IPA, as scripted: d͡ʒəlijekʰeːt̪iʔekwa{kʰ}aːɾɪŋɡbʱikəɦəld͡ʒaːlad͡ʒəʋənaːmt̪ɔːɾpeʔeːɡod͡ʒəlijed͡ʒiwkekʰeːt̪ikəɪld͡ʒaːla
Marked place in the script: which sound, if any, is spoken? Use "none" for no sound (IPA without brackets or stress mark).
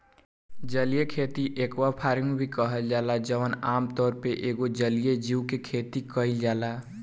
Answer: pʰ